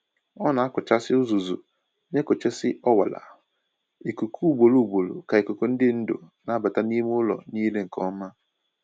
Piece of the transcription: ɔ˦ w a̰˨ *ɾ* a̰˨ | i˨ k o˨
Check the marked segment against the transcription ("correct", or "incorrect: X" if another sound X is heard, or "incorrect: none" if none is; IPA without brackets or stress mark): incorrect: l